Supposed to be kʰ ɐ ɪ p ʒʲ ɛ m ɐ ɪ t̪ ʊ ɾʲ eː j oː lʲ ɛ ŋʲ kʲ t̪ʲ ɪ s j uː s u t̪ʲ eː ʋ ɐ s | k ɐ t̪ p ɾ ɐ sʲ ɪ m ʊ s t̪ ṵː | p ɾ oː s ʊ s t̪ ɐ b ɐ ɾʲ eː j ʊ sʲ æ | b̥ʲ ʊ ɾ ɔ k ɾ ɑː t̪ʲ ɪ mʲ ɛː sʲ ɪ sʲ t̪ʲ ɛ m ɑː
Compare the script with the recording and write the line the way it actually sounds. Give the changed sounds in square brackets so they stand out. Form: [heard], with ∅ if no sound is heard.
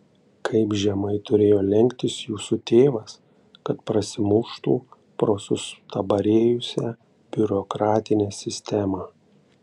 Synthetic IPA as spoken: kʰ ɐ ɪ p ʒʲ ɛ m ɐ ɪ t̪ ʊ ɾʲ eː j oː lʲ ɛ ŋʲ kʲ t̪ʲ ɪ s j uː s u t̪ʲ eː ʋ ɐ s | k ɐ t̪ p ɾ ɐ sʲ ɪ m ʊ [ʃ] t̪ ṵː | p ɾ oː s ʊ s t̪ ɐ b ɐ ɾʲ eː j ʊ sʲ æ | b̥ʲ ʊ ɾ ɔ k ɾ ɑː t̪ʲ ɪ [nʲ] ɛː sʲ ɪ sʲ t̪ʲ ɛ m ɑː